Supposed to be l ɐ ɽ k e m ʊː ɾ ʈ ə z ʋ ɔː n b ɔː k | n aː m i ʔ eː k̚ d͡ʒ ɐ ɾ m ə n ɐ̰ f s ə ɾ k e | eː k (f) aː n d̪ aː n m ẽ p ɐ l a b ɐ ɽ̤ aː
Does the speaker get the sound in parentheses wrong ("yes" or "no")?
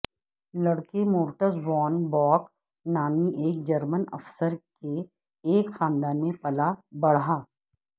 yes